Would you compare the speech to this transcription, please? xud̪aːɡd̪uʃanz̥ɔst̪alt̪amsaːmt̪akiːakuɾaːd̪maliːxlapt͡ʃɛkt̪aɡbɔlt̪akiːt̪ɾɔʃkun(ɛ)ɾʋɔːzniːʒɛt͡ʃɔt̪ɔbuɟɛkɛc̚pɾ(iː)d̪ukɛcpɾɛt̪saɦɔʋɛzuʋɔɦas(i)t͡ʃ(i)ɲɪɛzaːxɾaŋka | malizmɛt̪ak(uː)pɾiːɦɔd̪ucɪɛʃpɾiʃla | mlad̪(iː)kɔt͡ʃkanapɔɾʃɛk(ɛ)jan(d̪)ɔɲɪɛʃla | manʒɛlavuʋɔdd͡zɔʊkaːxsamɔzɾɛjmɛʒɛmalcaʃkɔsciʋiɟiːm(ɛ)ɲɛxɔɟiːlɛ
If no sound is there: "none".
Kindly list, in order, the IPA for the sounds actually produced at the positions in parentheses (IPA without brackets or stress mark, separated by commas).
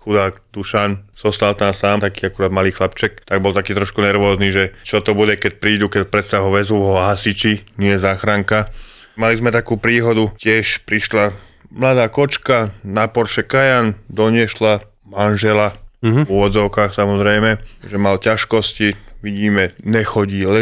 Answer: ɛ, iː, i, i, uː, aː, a, d̪, ɛ